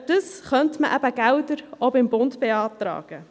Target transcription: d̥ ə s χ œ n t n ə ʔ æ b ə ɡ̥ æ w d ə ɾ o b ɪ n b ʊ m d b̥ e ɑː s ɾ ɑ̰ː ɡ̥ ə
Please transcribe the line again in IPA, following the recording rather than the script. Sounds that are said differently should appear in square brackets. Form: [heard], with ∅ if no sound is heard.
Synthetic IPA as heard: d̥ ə s χ œ n t [m] ə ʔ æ b ə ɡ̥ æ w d ə ɾ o b ɪ [m] b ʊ [n] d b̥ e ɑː [t] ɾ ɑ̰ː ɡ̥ ə